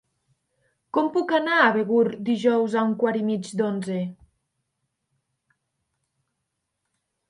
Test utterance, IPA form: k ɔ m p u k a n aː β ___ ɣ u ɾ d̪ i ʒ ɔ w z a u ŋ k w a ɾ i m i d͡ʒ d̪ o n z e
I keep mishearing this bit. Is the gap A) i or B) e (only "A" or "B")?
B